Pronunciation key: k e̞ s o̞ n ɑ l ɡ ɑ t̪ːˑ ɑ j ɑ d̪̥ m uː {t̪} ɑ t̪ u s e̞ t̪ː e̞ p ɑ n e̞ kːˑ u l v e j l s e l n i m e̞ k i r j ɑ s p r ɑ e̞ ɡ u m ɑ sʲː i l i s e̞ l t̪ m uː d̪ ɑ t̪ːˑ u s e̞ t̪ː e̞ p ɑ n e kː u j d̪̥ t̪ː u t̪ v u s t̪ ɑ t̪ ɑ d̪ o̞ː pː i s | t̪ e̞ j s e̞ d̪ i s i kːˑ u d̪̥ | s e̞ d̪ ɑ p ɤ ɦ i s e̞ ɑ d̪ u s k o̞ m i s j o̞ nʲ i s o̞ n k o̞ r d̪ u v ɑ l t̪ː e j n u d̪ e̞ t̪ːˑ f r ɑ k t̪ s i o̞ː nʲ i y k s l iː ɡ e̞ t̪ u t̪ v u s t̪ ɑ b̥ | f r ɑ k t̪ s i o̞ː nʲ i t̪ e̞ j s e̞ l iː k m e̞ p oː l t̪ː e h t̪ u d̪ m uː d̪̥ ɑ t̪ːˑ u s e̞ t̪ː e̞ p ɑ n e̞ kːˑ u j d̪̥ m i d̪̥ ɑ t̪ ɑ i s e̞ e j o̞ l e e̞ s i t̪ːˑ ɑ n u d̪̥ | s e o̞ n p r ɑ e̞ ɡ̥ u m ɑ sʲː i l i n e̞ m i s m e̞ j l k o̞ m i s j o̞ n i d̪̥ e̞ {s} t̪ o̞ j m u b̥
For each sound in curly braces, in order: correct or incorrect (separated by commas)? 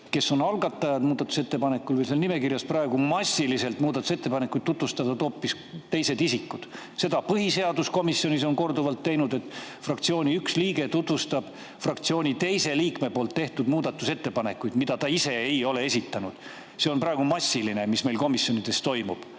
incorrect, correct